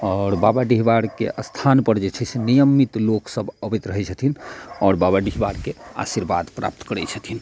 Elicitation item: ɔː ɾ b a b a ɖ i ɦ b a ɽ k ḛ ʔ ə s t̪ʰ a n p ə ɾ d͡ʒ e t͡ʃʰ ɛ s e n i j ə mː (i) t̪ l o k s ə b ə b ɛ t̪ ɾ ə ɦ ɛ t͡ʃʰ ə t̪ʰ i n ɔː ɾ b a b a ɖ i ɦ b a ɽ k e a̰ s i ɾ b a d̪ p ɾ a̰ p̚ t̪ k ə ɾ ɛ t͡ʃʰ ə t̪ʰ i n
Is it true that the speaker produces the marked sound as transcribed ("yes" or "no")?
yes